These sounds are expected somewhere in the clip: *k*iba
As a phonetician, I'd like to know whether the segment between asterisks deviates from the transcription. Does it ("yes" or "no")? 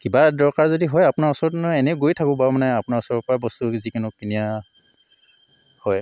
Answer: no